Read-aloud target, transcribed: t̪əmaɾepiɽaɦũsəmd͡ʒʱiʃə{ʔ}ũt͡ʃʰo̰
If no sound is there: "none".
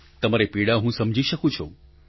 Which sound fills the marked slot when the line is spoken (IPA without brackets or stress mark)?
k